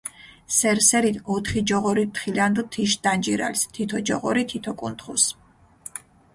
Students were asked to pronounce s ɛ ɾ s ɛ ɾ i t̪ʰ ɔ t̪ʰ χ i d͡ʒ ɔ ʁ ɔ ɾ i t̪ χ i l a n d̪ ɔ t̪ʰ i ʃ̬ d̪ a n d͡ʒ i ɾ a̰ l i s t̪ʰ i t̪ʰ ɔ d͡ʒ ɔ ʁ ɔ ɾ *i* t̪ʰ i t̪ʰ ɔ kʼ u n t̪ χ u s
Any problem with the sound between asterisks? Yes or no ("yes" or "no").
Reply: no